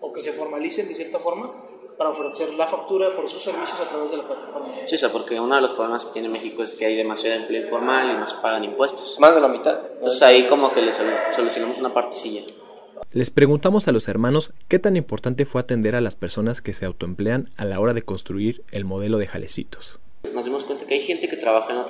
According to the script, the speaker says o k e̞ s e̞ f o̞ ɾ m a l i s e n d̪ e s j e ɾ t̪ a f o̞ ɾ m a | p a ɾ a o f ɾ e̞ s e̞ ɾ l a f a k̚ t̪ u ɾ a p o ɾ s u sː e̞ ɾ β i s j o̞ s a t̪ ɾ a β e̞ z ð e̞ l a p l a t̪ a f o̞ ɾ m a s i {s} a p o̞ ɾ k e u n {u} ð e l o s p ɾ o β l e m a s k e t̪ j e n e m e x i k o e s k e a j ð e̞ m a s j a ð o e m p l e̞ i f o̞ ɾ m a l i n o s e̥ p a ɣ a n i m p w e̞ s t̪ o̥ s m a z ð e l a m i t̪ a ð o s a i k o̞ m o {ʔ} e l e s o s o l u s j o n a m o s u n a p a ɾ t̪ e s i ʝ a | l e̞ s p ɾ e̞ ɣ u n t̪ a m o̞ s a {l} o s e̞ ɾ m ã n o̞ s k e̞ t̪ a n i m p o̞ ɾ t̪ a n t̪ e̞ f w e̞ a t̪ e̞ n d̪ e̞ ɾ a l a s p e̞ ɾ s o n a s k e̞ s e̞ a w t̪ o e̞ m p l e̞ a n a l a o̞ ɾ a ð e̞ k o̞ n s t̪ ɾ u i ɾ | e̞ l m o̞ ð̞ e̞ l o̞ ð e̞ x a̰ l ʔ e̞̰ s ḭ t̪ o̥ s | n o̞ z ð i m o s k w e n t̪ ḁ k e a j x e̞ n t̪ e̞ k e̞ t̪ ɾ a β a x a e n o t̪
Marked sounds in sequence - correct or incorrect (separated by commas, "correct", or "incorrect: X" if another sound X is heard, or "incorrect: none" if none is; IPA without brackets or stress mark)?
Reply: correct, incorrect: o, incorrect: k, correct